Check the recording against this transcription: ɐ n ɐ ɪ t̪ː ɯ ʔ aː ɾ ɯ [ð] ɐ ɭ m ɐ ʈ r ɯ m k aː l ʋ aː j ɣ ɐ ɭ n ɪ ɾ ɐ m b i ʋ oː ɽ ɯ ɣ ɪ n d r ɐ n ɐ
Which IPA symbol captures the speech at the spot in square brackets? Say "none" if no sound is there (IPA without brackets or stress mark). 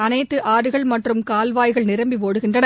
ɣ